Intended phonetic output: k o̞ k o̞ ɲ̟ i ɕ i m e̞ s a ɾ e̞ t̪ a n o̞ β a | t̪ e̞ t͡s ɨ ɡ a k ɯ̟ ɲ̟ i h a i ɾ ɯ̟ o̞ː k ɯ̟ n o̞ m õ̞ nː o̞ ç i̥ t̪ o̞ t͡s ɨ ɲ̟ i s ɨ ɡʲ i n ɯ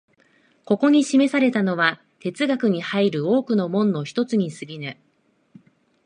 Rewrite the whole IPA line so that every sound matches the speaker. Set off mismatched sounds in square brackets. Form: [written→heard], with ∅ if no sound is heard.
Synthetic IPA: k o̞ k o̞ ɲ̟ i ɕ i m e̞ s a ɾ e̞ t̪ a n o̞ β a | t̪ e̞ t͡s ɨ ɡ a k ɯ̟ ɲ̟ i h a i ɾ ɯ̟ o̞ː k ɯ̟ n o̞ m õ̞ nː o̞ ç i̥ t̪ o̞ t͡s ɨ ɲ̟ i s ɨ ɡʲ i n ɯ